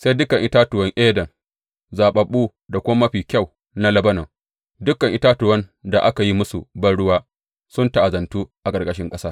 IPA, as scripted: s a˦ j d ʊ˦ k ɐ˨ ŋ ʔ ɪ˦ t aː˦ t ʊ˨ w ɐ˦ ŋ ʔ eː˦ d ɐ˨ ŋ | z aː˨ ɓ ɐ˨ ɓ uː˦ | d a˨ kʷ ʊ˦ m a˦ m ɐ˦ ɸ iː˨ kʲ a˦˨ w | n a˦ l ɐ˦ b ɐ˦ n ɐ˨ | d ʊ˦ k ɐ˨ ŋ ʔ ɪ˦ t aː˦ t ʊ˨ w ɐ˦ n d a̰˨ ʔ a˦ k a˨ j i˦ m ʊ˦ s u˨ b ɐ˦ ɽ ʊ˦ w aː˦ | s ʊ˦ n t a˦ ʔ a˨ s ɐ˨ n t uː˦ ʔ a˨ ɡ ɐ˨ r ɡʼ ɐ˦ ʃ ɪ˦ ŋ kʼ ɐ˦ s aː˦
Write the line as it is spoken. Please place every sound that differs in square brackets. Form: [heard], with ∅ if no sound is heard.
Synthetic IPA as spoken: s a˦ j d ʊ˦ k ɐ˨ ŋ ʔ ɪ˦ t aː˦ t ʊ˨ w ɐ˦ ŋ ʔ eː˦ d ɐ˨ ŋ | z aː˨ ɓ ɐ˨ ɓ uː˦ | d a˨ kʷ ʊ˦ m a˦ m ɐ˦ ɸ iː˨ kʲ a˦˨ w | n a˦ l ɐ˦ b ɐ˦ n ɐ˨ | d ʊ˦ k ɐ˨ ŋ ʔ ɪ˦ t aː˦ t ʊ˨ w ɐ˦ n d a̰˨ ʔ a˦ k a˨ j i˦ m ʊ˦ s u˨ b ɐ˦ ɽ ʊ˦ w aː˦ | s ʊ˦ n t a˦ ʔ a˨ [z] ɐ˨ n t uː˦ ʔ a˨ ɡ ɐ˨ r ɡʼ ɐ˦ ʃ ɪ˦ ŋ kʼ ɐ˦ s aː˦

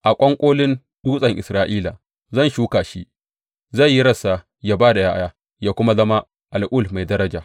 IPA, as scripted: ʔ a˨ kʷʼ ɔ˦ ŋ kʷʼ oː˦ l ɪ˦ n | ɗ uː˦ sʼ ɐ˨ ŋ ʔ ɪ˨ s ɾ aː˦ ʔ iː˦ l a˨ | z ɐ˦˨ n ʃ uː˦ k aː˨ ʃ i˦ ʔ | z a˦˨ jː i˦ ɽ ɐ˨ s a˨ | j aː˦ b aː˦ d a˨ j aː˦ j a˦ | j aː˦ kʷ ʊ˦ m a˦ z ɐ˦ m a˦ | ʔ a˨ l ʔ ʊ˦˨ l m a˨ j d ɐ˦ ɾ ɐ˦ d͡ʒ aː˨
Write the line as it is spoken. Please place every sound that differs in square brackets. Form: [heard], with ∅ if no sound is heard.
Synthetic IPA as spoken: ʔ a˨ kʷʼ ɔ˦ ŋ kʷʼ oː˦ l ɪ˦ n | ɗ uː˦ sʼ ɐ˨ ŋ ʔ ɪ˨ s ɾ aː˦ ʔ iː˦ l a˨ | z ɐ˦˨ n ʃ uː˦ k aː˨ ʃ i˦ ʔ | z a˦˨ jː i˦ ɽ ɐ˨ s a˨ | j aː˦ b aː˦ d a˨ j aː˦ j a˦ | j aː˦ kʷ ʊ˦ m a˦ z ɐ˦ m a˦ | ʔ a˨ l ʔ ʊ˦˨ l m a˨ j d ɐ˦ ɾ ɐ˦ d͡ʒ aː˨

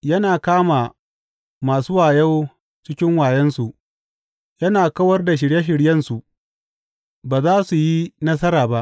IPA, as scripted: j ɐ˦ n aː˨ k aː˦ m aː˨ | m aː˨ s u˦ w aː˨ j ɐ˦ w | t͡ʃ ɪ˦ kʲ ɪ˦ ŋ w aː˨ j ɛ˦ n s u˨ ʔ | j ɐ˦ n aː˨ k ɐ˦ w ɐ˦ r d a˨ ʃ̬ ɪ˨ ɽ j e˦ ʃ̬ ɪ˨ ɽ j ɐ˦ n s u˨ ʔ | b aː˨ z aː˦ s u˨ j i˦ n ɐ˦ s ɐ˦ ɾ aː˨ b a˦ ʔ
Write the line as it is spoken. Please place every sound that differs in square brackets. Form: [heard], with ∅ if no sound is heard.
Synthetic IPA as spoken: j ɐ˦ n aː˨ k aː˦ m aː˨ | m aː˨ s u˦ w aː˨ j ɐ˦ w | t͡ʃ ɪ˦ kʲ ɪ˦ ŋ w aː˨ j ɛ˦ n s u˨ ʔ | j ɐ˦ n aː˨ k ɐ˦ w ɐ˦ r d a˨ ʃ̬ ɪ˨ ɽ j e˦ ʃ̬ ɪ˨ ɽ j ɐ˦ n s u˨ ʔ | b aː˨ z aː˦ s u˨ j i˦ n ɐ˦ s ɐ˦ ɾ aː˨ b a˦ ʔ

